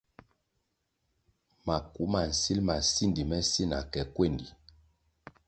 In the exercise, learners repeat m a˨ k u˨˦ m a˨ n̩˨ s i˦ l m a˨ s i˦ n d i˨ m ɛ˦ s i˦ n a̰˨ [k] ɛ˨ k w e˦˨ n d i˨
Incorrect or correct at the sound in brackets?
correct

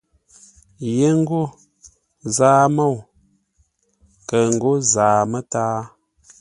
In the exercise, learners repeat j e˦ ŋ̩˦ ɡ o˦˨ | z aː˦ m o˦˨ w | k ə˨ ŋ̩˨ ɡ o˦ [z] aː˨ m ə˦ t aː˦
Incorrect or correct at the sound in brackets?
correct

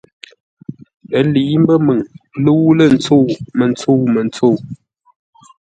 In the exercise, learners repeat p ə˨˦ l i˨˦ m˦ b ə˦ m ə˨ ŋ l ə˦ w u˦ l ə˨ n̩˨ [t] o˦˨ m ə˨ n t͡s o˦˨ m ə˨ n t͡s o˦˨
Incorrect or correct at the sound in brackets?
incorrect: t͡s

